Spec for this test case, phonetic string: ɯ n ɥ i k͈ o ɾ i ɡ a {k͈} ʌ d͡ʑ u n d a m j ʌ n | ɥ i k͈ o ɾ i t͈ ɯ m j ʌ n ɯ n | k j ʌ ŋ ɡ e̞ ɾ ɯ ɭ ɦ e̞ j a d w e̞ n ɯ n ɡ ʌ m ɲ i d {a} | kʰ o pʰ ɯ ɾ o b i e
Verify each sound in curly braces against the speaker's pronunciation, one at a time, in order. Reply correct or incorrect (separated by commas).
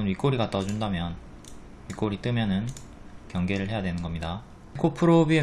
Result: incorrect, correct